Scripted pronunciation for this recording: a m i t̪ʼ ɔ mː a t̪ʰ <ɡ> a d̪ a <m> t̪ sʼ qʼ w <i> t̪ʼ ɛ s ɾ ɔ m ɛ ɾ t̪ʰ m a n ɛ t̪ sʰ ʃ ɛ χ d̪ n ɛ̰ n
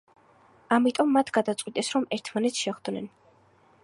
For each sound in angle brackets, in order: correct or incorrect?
correct, incorrect, correct

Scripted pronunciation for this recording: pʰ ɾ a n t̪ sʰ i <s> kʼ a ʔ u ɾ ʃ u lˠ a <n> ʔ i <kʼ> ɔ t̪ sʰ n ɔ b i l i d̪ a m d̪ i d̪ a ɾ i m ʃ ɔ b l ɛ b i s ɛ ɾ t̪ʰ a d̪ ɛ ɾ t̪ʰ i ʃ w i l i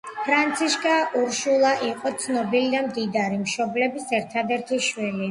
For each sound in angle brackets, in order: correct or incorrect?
incorrect, incorrect, incorrect

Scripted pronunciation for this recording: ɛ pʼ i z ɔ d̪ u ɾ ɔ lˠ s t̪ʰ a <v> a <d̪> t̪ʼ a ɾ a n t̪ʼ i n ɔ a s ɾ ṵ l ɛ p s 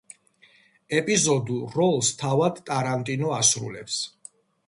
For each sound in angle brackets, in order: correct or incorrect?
correct, correct

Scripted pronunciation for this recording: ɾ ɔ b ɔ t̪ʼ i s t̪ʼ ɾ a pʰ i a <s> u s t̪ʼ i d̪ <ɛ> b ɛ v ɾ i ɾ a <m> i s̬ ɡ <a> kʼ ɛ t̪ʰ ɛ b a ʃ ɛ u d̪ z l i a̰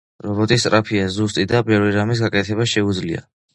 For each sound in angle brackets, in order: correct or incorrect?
incorrect, incorrect, correct, correct

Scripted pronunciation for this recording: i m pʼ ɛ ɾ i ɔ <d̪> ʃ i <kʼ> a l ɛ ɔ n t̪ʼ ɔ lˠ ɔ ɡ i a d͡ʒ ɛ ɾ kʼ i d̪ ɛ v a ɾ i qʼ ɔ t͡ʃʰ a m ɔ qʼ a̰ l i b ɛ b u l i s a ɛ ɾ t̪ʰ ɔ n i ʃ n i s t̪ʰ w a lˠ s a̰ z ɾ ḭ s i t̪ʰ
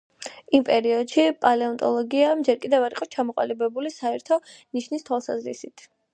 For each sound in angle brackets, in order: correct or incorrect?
correct, incorrect

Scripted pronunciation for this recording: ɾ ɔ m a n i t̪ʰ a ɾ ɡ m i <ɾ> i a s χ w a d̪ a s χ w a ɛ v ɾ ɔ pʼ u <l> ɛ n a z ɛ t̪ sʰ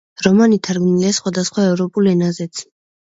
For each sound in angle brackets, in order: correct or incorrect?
incorrect, correct

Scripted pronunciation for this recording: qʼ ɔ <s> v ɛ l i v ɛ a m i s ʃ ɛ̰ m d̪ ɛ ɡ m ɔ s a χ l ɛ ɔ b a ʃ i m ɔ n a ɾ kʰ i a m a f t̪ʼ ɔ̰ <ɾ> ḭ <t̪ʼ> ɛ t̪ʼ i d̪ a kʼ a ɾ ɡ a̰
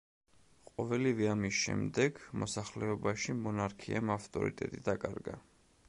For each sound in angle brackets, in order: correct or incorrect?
incorrect, correct, correct

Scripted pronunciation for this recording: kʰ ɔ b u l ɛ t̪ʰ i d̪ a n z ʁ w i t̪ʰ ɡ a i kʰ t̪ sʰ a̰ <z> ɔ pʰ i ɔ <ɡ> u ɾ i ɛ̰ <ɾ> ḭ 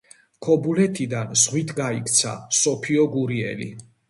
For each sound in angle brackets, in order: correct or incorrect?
incorrect, correct, incorrect

